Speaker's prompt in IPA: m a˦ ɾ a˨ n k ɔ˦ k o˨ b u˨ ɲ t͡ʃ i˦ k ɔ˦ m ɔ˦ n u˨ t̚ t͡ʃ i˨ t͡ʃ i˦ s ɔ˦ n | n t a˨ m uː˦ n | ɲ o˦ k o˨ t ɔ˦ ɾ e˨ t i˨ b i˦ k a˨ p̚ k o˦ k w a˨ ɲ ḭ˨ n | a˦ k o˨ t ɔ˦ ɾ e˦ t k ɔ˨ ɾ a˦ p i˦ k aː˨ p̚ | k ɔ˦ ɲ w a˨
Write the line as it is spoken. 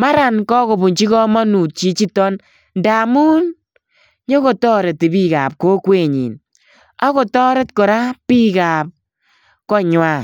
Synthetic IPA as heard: m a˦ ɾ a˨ n k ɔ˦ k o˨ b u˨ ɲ t͡ʃ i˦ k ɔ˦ m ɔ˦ n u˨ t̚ t͡ʃ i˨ t͡ʃ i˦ t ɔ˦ n | n d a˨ m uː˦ n | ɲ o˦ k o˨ t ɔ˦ ɾ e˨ t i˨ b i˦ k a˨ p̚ k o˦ k w e˨ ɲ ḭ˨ n | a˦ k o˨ t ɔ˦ ɾ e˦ t k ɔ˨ ɾ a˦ p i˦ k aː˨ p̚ | k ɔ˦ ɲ w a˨